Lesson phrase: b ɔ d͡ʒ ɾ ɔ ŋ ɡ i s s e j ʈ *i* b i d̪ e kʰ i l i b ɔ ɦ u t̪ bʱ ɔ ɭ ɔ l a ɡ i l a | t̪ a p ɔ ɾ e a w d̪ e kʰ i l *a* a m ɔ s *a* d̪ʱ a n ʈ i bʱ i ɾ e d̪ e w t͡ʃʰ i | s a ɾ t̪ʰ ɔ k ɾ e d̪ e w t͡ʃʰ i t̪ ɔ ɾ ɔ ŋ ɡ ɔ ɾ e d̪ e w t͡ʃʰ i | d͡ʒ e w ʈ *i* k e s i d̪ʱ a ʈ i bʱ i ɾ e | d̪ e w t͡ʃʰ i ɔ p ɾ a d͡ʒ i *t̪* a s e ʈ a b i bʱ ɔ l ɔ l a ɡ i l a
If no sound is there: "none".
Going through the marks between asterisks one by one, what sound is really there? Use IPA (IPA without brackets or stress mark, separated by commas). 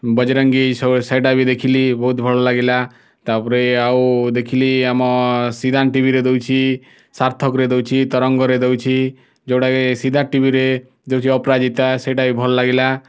a, i, i, a, t̪